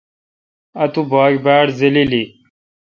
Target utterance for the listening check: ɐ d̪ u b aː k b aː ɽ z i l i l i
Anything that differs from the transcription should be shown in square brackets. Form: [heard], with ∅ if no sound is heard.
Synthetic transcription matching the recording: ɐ [t̪] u b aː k b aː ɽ z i l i l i